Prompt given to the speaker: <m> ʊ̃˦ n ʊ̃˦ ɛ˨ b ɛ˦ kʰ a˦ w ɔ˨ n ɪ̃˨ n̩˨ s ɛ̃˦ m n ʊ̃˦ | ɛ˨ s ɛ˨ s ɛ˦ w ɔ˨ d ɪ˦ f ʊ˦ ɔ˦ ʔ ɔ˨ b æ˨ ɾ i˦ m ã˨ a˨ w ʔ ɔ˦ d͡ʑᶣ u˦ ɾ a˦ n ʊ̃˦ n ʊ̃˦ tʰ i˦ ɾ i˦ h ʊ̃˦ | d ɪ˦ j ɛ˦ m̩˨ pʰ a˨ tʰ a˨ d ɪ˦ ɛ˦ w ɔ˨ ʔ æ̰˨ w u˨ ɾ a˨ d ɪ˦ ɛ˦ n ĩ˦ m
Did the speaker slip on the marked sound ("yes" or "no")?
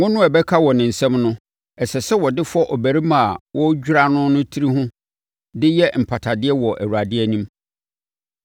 yes